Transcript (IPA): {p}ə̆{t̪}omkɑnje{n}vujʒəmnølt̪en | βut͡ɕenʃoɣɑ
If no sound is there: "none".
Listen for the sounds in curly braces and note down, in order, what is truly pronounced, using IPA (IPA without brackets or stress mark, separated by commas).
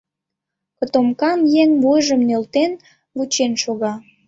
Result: k, t̪, ŋ